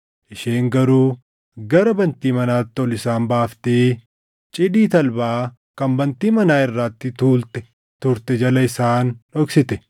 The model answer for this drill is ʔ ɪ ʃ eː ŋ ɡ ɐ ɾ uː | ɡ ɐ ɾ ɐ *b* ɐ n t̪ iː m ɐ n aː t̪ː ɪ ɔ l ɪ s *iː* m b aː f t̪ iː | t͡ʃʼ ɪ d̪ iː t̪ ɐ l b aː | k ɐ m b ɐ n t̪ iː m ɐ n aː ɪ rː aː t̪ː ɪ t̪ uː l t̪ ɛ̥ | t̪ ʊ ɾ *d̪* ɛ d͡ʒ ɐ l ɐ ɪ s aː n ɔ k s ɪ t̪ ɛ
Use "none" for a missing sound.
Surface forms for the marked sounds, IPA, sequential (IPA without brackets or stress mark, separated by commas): b, aː, t̪